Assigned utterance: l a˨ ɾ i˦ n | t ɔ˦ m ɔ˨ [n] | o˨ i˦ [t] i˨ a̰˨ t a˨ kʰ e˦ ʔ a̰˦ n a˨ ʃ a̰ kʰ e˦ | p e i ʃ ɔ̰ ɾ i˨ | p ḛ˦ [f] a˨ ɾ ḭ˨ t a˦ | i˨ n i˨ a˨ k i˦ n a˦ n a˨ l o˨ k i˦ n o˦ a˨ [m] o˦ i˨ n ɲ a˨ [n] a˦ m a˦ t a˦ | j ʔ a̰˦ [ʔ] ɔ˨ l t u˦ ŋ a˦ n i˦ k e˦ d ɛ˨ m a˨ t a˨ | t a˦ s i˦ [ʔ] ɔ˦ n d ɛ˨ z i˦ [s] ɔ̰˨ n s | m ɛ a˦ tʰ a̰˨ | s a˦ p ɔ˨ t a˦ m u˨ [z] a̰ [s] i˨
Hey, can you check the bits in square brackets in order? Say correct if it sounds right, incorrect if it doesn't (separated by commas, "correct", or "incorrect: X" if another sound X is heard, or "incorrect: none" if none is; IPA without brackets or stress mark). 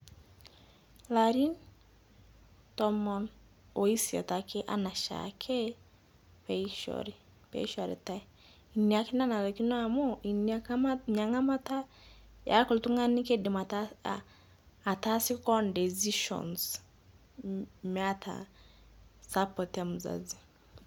correct, incorrect: s, incorrect: ʃ, correct, incorrect: ŋ, incorrect: k, incorrect: k, incorrect: ʃ, correct, incorrect: z